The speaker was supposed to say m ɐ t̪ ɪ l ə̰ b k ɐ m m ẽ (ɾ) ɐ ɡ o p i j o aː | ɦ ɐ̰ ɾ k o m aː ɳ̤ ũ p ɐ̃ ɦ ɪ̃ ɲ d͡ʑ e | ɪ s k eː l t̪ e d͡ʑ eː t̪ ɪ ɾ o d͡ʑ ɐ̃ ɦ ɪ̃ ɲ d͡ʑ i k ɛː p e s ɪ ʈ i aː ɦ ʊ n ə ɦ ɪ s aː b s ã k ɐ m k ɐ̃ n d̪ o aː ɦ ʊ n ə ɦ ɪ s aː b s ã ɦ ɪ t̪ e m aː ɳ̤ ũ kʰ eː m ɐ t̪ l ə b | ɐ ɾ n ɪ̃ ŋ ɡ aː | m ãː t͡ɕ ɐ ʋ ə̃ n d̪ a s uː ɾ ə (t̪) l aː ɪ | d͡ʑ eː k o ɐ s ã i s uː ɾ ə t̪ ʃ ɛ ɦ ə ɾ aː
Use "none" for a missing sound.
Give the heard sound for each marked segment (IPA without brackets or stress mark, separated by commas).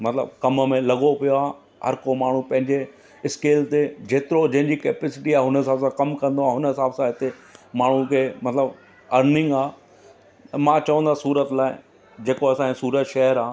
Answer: l, t̪